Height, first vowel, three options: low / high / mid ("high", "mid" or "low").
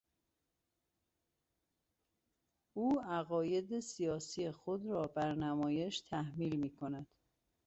high